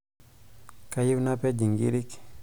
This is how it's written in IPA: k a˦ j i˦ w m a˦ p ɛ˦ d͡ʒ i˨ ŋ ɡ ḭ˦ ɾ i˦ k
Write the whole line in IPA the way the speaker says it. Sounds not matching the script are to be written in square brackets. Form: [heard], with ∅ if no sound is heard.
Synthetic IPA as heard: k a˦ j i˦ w [n] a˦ p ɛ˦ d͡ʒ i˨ ŋ ɡ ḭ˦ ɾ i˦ k